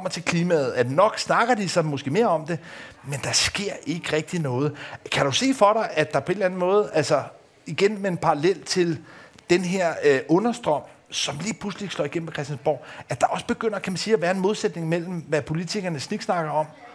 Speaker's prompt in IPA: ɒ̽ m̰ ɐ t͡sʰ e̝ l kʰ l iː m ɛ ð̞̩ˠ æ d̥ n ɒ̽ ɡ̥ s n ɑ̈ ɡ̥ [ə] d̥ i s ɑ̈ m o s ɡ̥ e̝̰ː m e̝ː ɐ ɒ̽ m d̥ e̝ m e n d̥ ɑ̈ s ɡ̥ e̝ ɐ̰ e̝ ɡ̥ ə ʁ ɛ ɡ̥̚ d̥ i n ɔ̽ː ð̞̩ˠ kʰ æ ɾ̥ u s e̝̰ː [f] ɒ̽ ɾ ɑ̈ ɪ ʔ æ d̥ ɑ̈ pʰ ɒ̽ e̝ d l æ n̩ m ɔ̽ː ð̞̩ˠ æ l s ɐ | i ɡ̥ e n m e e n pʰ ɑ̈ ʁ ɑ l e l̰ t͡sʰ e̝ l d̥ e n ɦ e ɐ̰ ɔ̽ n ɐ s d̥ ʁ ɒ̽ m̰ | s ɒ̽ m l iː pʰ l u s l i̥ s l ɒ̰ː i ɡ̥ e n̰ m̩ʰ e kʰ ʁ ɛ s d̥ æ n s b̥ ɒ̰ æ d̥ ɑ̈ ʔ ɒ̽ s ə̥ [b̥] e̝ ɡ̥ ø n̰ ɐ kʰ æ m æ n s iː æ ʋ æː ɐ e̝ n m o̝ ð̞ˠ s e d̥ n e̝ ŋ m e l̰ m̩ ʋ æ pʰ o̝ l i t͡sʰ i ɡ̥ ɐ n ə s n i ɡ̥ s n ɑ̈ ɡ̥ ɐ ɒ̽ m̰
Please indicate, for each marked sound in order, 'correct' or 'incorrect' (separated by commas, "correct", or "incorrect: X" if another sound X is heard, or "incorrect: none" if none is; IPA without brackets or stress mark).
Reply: incorrect: ɐ, correct, correct